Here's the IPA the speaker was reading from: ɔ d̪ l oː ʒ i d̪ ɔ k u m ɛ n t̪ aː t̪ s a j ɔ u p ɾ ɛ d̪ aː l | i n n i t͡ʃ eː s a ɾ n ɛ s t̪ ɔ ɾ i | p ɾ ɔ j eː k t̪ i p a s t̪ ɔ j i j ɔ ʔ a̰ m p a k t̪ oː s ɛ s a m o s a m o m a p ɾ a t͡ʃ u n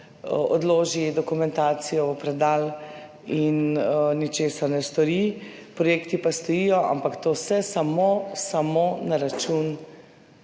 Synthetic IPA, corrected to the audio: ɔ d̪ l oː ʒ i d̪ ɔ k u m ɛ n t̪ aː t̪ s i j ɔ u p ɾ ɛ d̪ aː l | i n n i t͡ʃ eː s a ɾ n ɛ s t̪ ɔ ɾ i | p ɾ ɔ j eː k t̪ i p a s t̪ ɔ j i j ɔ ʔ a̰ m p a k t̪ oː s ɛ s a m o s a m o n a ɾ a t͡ʃ u n

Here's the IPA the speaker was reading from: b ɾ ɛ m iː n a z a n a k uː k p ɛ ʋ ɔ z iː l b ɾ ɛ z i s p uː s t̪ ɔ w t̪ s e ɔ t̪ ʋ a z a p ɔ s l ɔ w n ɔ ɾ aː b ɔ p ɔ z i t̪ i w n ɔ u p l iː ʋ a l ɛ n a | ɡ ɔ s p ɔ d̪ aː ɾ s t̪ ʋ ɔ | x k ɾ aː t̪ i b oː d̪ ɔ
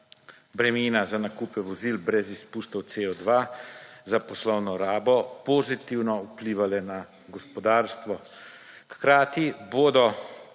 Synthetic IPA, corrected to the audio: b ɾ ɛ m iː n a z a n a k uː p ɛ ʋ ɔ z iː l b ɾ ɛ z i s p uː s t̪ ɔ w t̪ s e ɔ d̪ ʋ a z a p ɔ s l ɔ w n ɔ ɾ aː b ɔ p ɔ z i t̪ i w n ɔ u p l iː ʋ a l ɛ n a | ɡ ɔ s p ɔ d̪ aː ɾ s t̪ ʋ ɔ | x k ɾ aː t̪ i b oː d̪ ɔ

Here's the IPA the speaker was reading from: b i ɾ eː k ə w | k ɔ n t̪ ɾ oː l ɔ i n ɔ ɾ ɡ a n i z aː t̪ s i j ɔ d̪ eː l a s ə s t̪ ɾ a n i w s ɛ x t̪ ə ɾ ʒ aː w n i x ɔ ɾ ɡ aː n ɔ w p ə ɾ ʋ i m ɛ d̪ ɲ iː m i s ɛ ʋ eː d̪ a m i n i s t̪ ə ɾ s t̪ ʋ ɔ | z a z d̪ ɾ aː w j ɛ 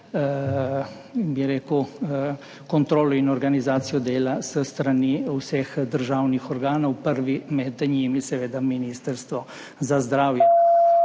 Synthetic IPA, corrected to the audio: b i ɾ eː k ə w | k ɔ n t̪ ɾ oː l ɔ i n ɔ ɾ ɡ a n i z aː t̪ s i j ɔ d̪ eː l a s ə s t̪ ɾ a n i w s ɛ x d̪ ə ɾ ʒ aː w n i x ɔ ɾ ɡ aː n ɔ w p ə ɾ ʋ i m ɛ d̪ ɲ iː m i s ɛ ʋ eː d̪ a m i n i s t̪ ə ɾ s t̪ ʋ ɔ | z a z d̪ ɾ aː w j ɛ

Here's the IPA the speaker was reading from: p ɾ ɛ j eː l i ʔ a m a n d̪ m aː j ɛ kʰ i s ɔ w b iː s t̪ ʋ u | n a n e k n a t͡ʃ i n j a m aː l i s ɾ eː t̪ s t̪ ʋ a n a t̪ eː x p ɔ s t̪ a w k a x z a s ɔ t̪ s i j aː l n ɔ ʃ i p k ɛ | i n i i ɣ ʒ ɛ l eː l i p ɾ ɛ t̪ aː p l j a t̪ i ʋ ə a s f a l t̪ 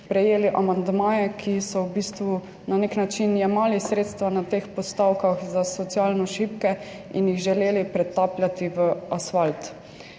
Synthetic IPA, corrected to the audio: p ɾ ɛ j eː l i ʔ a m a n d̪ m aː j ɛ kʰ i s ɔ w b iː s t̪ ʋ u | n a n e k n a t͡ʃ i n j ɛ m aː l i s ɾ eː t̪ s t̪ ʋ a n a t̪ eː x p ɔ s t̪ a w k a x z a s ɔ t̪ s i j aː l n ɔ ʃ i p k ɛ | i n j i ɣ ʒ ɛ l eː l i p ɾ ɛ t̪ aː p l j a t̪ i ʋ ə a s f a l t̪

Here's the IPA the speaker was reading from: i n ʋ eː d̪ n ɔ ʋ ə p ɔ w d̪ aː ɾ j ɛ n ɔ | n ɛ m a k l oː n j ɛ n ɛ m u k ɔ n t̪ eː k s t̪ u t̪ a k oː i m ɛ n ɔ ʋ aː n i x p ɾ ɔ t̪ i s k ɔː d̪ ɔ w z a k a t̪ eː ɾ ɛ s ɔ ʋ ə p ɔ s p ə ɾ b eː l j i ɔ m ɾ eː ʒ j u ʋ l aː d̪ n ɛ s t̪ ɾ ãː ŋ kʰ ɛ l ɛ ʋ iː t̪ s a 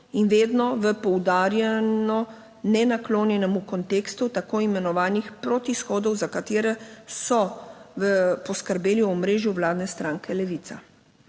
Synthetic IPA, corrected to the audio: i n ʋ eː d̪ n ɔ ʋ ə p ɔ w d̪ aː ɾ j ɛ n ɔ | n ɛ n a k l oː n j ɛ n ɛ m u k ɔ n t̪ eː k s t̪ u t̪ a k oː i m ɛ n ɔ ʋ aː n i x p ɾ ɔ t̪ i s x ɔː d̪ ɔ w z a k a t̪ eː ɾ ɛ s ɔ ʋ ə p ɔ s k ə ɾ b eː l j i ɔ m ɾ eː ʒ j u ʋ l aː d̪ n ɛ s t̪ ɾ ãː ŋ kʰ ɛ l ɛ ʋ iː t̪ s a

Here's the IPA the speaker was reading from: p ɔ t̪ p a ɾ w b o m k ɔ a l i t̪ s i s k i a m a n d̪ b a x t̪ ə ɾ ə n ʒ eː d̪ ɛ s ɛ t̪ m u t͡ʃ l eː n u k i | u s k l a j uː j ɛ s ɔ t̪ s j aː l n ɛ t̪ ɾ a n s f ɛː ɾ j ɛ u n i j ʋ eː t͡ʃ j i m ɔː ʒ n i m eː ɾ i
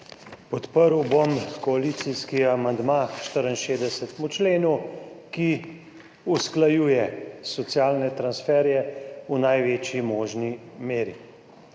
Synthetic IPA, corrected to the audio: p ɔ t̪ p ə ɾ w b o m k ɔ a l i t̪ s i s k i a m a n d̪ m a ʃ t̪ ə ɾ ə n ʃ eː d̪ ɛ s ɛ t̪ m u t͡ʃ l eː n u k i | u s k l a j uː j ɛ s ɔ t̪ s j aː l n ɛ t̪ ɾ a n s f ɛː ɾ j ɛ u n a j ʋ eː t͡ʃ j i m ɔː ʒ n i m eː ɾ i

